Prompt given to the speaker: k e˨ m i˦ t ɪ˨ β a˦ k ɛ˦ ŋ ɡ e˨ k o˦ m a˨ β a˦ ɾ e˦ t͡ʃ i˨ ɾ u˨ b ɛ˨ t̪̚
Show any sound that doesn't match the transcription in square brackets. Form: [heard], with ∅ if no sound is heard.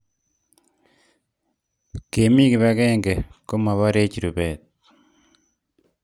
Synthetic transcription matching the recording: k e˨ m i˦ [k] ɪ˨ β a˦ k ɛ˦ ŋ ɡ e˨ k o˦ m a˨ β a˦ ɾ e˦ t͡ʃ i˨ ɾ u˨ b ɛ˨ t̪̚